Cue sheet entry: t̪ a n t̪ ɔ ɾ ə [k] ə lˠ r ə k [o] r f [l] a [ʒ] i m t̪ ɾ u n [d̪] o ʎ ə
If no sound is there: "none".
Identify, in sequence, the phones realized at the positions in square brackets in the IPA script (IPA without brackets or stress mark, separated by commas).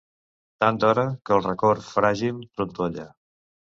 k, o, ɾ, ʒ, t̪